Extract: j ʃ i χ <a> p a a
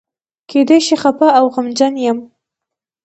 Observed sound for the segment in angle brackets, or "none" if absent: a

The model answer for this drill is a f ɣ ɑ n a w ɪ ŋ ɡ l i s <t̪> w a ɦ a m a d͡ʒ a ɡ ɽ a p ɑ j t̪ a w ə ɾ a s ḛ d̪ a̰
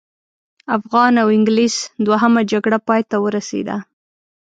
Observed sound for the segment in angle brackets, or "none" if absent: d̪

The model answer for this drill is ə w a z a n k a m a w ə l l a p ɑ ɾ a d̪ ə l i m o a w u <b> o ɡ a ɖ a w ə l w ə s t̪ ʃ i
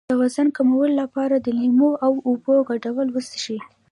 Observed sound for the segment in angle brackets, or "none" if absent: b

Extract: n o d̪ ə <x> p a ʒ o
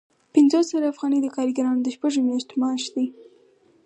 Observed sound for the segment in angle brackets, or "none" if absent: ʃ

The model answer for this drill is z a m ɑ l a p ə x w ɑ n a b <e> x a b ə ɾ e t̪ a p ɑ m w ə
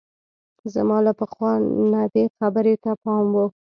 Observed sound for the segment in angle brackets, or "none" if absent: e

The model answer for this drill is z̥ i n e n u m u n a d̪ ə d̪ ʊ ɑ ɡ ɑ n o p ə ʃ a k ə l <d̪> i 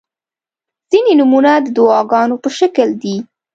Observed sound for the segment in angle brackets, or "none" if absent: d̪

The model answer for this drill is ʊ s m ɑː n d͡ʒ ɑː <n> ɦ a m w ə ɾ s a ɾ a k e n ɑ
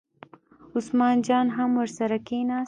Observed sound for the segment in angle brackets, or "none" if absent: n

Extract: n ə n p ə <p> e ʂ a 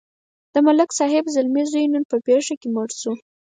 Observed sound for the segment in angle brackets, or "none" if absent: p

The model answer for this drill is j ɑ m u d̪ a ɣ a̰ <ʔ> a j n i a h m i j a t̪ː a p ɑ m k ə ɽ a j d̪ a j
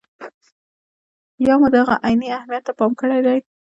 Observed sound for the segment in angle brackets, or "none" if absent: ʔ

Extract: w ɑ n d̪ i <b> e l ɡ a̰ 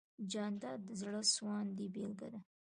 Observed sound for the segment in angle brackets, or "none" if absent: b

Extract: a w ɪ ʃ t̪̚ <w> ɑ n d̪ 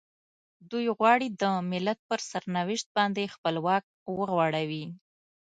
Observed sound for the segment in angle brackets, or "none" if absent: b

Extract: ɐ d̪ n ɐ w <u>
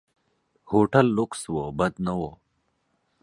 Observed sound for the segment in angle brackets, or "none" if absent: o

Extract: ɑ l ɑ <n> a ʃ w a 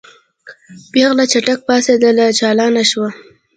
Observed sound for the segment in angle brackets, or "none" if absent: n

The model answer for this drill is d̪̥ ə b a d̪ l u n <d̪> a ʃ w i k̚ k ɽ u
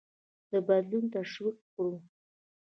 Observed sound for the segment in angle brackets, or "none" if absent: t̪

